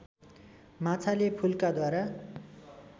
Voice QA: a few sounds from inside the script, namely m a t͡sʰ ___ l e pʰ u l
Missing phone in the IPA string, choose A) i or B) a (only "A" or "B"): B